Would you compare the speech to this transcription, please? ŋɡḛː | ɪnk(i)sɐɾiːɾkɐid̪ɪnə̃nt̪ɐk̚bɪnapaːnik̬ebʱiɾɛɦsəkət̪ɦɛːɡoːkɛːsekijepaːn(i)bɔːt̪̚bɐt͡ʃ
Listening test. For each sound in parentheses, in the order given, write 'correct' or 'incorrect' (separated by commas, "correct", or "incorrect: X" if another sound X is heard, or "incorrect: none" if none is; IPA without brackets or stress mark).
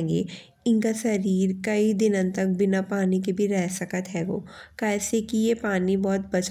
incorrect: a, correct